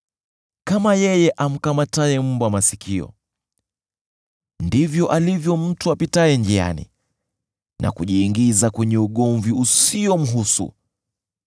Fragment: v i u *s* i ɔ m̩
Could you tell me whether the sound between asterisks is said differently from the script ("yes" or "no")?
no